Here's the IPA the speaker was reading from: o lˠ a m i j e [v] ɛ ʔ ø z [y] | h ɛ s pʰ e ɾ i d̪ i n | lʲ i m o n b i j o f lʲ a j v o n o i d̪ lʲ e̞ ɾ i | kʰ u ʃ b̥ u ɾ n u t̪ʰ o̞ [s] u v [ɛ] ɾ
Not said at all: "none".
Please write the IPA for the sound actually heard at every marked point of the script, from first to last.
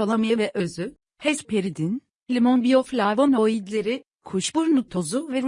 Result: v, y, z, ɛ

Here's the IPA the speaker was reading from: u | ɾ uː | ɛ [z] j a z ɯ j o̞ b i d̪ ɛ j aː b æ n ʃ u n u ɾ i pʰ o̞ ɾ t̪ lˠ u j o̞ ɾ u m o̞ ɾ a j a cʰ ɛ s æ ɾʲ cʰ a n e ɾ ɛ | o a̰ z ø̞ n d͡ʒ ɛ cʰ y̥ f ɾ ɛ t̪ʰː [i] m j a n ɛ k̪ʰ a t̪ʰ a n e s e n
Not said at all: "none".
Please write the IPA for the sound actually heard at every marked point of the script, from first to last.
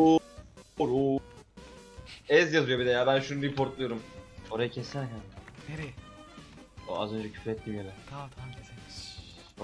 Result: z, i

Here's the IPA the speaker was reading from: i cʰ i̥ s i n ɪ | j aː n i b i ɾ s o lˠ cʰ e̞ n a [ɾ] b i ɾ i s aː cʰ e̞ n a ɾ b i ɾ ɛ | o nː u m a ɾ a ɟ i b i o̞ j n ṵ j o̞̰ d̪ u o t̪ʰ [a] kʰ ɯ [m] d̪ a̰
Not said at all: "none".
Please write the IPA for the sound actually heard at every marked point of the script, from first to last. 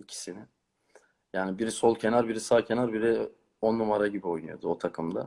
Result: ɾ, a, m

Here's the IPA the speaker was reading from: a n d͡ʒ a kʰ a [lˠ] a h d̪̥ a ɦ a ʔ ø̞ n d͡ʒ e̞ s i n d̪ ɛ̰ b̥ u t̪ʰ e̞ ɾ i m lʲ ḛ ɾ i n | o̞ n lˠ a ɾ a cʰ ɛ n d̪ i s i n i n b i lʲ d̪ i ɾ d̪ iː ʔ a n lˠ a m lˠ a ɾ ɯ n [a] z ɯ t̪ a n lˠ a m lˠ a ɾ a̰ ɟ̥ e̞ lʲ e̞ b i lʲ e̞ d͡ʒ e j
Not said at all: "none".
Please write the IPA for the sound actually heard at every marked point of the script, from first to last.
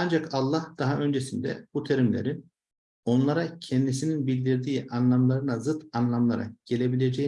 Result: lˠː, a

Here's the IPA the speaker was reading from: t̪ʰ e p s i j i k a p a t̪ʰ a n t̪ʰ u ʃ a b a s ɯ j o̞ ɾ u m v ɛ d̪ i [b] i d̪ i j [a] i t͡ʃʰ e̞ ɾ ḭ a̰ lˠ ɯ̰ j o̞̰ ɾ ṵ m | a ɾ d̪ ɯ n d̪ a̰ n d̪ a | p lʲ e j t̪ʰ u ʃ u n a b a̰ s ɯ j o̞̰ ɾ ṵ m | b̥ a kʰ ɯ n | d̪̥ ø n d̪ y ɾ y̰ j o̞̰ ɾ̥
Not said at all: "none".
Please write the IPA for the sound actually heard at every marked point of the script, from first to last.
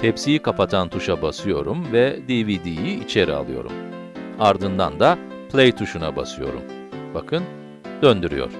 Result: v, i

